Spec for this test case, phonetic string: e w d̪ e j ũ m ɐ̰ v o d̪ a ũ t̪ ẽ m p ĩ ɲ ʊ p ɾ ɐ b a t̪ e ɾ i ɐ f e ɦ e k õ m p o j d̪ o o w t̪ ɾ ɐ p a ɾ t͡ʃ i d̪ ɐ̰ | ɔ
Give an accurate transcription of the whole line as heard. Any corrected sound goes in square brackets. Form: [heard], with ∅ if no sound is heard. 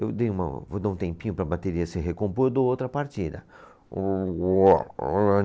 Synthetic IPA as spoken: e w d̪ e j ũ m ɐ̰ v o d̪ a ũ t̪ ẽ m p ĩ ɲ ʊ p ɾ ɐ b a t̪ e ɾ i ɐ [s] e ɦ e k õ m p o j d̪ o o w t̪ ɾ ɐ p a ɾ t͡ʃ i d̪ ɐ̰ | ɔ